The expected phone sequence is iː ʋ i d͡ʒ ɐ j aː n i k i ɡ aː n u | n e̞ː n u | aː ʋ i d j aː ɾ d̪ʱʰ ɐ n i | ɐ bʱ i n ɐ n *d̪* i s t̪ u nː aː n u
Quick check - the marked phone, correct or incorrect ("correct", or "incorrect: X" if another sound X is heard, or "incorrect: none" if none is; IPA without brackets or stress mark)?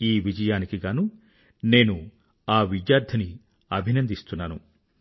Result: correct